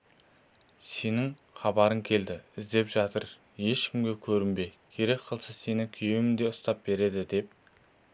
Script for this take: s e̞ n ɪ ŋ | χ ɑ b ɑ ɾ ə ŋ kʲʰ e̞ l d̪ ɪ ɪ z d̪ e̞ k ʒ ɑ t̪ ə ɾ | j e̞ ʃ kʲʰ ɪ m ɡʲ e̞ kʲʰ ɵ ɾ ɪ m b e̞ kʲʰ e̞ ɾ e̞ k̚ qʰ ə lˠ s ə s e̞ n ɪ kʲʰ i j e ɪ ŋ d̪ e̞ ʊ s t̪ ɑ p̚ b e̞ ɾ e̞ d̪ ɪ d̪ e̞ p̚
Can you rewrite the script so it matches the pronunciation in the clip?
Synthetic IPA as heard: s e̞ n ɪ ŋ | χ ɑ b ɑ ɾ ə ŋ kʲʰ e̞ l d̪ ɪ ɪ z d̪ e̞ p ʒ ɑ t̪ ə ɾ | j e̞ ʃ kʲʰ ɪ m ɡʲ e̞ kʲʰ ɵ ɾ ɪ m b e̞ kʲʰ e̞ ɾ e̞ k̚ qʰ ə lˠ s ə s e̞ n ɪ kʲʰ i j e ɪ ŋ d̪ e̞ ʊ s t̪ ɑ p̚ b e̞ ɾ e̞ d̪ ɪ d̪ e̞ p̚